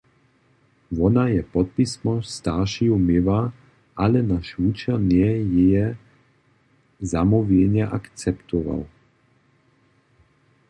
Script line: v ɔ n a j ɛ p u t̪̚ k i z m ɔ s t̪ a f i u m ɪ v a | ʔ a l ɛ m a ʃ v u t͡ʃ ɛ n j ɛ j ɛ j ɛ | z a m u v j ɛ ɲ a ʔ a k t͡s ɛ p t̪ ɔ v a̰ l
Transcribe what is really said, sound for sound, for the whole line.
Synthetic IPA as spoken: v ɔ n a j ɛ p ɔ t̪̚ p i s m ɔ s t̪ a ʃ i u m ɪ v a | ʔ a l ɛ n a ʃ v u t͡ʃ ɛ n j ɛ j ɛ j ɛ | z a m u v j ɛ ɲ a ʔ a k t͡s ɛ p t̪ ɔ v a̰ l